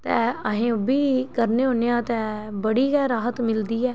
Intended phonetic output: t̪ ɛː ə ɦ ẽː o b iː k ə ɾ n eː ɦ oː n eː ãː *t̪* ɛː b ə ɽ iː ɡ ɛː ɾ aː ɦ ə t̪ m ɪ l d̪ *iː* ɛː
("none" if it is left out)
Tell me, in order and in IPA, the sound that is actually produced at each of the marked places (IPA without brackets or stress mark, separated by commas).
t̪, iː